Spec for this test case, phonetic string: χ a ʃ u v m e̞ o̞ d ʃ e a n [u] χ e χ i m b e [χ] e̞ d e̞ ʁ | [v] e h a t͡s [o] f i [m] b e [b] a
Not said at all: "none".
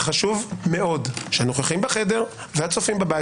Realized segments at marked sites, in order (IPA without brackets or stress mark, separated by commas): o, χ, v, o, m, b